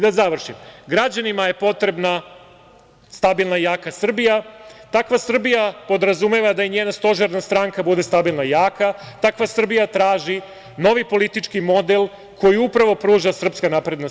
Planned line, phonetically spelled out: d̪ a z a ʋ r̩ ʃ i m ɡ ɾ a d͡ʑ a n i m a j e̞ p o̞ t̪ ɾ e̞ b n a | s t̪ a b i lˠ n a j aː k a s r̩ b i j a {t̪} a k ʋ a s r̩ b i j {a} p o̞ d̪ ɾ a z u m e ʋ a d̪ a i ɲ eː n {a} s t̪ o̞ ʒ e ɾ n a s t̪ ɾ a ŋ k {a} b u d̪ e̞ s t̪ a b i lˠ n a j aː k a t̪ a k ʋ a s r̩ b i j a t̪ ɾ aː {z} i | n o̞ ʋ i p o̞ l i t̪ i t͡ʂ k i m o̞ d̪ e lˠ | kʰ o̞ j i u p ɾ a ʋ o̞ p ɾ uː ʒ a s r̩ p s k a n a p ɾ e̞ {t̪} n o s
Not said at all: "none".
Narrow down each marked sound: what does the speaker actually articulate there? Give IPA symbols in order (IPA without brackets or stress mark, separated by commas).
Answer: t̪, a, a, a, ʒ, d̪